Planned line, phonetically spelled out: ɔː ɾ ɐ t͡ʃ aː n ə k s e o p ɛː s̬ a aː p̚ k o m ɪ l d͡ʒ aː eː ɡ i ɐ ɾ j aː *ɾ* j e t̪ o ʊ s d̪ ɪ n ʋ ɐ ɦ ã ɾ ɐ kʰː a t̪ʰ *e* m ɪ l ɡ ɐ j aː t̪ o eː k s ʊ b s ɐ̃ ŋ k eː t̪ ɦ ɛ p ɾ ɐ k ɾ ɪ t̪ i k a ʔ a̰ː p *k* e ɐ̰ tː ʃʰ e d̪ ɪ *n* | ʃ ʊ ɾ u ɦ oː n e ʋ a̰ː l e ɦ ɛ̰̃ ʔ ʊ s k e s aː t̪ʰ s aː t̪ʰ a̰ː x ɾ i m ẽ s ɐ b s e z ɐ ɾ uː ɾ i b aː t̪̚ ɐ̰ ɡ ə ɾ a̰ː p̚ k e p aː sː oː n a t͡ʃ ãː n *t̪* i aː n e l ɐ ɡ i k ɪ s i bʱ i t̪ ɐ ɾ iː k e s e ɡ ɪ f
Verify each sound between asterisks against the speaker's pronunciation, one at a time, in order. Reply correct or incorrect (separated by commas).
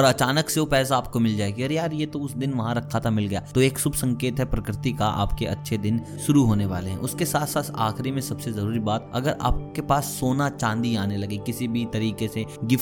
correct, incorrect, correct, correct, incorrect